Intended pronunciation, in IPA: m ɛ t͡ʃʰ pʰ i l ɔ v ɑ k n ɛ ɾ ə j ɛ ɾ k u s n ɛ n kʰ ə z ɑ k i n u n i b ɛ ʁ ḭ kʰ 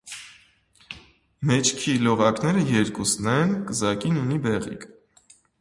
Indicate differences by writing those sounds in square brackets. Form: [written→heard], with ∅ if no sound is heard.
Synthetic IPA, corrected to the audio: m ɛ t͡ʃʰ [pʰ→kʰ] i l ɔ [v→ʁ] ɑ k n ɛ ɾ ə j ɛ ɾ k u s n ɛ n [kʰ→k] ə z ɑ k i n u n i b ɛ ʁ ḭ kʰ

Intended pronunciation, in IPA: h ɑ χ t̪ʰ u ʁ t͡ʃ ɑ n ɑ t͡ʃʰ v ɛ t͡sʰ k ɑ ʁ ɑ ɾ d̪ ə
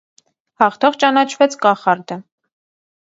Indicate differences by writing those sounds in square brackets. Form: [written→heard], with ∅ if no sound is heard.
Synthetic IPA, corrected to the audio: h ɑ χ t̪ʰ [u→ɔ] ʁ t͡ʃ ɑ n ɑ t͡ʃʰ v ɛ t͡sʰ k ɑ [ʁ→χ] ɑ ɾ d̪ ə

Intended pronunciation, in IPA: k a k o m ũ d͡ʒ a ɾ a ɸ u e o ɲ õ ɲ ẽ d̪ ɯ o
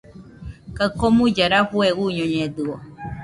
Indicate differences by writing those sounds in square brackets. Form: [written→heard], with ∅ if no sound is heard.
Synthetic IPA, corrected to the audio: k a k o m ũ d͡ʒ a ɾ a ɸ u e [o→u] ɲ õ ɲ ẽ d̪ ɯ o

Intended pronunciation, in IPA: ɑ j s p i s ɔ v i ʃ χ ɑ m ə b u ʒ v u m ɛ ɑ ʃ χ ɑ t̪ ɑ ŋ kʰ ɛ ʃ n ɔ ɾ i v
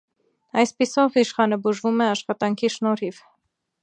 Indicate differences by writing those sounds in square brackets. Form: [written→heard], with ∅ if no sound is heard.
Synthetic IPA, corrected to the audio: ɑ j s p i s ɔ v i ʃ χ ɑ [m→n] ə b u ʒ v u m ɛ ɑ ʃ χ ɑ t̪ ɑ ŋ kʰ [ɛ→i] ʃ n ɔ ɾ i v

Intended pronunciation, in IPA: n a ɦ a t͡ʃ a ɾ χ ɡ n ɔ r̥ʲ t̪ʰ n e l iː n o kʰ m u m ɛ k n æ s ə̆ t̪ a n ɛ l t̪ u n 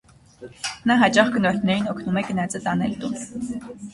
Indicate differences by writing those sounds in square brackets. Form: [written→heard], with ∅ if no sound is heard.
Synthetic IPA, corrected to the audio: n a ɦ a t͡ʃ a [ɾ→∅] χ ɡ n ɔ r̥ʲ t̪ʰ n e [l→ɾ] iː n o kʰ [m→n] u m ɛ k n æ [s→t͡s] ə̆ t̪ a n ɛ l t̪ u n

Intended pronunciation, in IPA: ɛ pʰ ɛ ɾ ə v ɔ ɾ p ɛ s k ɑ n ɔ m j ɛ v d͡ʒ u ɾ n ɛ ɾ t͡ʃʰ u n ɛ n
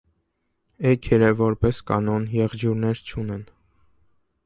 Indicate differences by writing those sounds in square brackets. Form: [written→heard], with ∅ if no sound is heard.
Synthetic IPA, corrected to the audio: ɛ [pʰ→kʰ] ɛ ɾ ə v ɔ ɾ p ɛ s k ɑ n ɔ [m→n] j ɛ [v→ʁ] d͡ʒ u ɾ n ɛ ɾ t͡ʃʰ u n ɛ n

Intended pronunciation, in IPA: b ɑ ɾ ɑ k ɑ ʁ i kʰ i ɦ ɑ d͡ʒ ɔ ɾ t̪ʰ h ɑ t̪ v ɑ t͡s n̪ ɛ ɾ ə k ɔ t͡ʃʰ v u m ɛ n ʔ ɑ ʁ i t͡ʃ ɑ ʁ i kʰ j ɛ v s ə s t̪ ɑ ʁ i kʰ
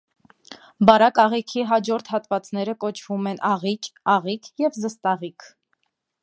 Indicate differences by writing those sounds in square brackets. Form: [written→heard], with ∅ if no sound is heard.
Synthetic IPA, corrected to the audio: b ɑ ɾ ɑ k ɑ ʁ i kʰ i ɦ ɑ d͡ʒ ɔ ɾ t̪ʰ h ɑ t̪ v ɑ t͡s n̪ ɛ ɾ ə k ɔ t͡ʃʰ v u m ɛ n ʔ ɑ ʁ i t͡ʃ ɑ ʁ i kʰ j ɛ v [s→z] ə s t̪ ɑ ʁ i kʰ

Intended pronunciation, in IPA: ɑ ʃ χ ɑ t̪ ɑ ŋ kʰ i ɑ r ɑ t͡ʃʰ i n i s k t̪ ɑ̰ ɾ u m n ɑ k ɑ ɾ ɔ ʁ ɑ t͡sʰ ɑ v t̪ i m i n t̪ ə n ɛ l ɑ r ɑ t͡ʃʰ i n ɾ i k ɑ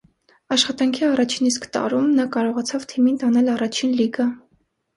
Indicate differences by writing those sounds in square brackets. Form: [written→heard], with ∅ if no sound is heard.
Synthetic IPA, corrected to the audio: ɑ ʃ χ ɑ t̪ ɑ ŋ kʰ i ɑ r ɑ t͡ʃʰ i n i s k t̪ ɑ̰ ɾ u m n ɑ k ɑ ɾ ɔ ʁ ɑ t͡sʰ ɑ v [t̪→t̪ʰ] i m i n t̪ [ə→ɑ] n ɛ l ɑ r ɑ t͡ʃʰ i n [ɾ→l] i [k→ɡ] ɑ

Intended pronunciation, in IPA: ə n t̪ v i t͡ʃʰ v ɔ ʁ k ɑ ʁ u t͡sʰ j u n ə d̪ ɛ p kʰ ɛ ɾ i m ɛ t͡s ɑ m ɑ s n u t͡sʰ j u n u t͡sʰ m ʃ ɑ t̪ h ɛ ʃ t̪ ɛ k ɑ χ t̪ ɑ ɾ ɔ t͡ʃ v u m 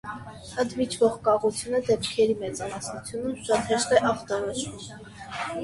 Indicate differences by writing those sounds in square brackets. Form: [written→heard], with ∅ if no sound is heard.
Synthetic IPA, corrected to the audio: ə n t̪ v i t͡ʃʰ v ɔ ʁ k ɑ ʁ u t͡sʰ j u n ə d̪ ɛ p kʰ ɛ ɾ i m ɛ t͡s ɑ m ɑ s n u t͡sʰ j u n u [t͡sʰ→∅] m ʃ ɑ t̪ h ɛ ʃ t̪ ɛ [k→ʔ] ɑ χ t̪ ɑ ɾ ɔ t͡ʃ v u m

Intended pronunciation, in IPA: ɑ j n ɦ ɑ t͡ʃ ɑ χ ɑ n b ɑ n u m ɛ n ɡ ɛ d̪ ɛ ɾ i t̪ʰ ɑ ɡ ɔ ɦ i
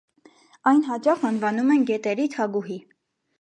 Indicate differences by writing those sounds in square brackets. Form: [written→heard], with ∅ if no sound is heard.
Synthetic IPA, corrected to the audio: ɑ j n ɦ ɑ t͡ʃ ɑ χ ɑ n [b→v] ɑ n u m ɛ n ɡ ɛ [d̪→t̪] ɛ ɾ i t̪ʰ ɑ ɡ [ɔ→u] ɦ i

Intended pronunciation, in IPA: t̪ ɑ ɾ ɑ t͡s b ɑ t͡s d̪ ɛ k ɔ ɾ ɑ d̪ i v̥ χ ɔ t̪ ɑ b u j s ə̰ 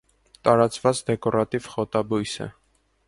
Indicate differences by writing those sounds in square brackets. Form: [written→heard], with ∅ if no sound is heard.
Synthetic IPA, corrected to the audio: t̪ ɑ ɾ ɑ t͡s [b→v] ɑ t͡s d̪ ɛ k ɔ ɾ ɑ [d̪→t̪] i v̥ χ ɔ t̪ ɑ b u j s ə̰

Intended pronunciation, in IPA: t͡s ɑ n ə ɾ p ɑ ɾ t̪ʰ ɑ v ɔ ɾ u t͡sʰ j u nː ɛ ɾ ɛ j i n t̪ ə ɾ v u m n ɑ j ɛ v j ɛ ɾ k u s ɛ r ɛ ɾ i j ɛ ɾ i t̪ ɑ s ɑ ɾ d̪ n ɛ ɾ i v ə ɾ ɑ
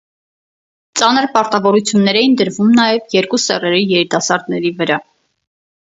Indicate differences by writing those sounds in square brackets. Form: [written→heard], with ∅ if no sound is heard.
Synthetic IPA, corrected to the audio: t͡s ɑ n ə ɾ p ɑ ɾ [t̪ʰ→t̪] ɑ v ɔ ɾ u t͡sʰ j u nː ɛ ɾ ɛ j i n [t̪→d̪] ə ɾ v u m n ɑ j ɛ v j ɛ ɾ k u s ɛ r ɛ ɾ i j ɛ ɾ i t̪ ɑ s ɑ ɾ d̪ n ɛ ɾ i v ə ɾ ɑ

